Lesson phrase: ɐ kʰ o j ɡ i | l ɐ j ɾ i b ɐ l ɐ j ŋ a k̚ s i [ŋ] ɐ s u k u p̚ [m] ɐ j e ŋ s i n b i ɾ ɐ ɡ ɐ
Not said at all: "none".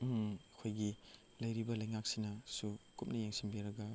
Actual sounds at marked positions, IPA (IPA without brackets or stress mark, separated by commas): n, n